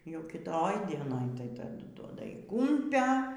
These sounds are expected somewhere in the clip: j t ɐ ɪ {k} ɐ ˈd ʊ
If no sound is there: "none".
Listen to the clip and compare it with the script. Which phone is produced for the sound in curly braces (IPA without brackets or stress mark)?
t